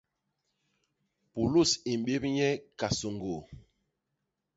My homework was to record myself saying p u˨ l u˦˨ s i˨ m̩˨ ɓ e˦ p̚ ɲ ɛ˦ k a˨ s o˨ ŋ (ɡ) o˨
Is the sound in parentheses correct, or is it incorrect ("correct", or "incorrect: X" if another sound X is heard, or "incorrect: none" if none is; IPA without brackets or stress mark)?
correct